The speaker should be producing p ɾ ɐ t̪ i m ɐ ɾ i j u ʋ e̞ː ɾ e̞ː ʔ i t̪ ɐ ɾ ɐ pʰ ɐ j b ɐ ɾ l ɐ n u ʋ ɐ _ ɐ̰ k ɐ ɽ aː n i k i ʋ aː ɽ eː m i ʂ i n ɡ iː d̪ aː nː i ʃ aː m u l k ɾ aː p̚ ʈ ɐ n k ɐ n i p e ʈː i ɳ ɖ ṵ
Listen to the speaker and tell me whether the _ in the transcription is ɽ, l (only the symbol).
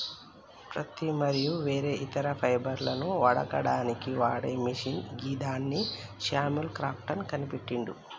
ɽ